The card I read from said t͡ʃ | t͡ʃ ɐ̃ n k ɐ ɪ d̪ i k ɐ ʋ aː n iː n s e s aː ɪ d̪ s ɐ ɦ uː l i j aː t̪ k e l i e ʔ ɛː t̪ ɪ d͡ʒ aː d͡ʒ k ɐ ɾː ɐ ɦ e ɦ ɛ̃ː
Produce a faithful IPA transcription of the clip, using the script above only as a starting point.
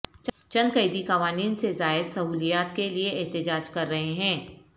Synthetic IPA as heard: t͡ʃ | t͡ʃ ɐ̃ n k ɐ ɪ d̪ i k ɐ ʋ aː n iː n s e z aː ɪ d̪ s ɐ ɦ uː l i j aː t̪ k e l i e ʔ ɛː t̪ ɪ d͡ʒ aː d͡ʒ k ɐ ɾː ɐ ɦ e ɦ ɛ̃ː